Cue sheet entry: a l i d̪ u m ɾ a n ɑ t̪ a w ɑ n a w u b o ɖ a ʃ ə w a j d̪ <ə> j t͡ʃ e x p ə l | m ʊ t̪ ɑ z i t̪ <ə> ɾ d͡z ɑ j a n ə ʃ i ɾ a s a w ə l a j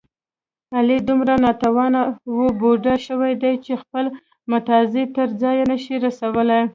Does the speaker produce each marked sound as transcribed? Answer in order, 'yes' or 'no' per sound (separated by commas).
no, yes